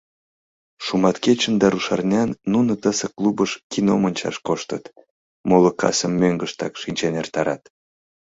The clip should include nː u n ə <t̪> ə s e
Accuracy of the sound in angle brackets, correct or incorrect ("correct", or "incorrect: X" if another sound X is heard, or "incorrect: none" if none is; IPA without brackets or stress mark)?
correct